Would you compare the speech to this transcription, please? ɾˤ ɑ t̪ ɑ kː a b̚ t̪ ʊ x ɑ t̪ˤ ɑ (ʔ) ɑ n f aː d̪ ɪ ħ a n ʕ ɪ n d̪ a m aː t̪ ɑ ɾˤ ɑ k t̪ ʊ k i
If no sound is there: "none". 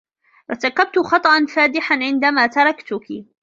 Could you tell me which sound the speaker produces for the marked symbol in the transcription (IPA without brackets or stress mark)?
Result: ʔ